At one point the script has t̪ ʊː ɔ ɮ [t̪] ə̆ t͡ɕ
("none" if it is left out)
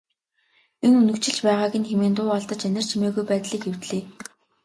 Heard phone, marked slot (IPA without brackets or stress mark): t̪